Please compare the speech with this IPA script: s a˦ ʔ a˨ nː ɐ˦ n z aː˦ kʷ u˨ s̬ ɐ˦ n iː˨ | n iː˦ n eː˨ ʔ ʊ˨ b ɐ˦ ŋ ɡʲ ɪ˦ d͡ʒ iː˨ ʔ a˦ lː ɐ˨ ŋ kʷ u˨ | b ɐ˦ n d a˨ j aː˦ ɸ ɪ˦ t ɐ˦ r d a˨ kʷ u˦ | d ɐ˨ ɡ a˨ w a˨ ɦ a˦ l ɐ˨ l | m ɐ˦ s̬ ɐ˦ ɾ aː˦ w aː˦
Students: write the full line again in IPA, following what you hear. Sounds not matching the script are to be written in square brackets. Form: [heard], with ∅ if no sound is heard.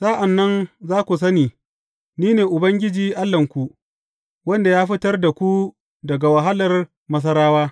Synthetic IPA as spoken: s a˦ ʔ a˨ nː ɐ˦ n z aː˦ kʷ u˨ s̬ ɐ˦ n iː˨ | n iː˦ n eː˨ ʔ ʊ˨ b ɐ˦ ŋ ɡʲ ɪ˦ d͡ʒ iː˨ ʔ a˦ lː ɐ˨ ŋ kʷ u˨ | [w] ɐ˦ n d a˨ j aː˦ ɸ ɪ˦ t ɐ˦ r d a˨ kʷ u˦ | d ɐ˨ ɡ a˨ w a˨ ɦ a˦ l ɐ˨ [r] | m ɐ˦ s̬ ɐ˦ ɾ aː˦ w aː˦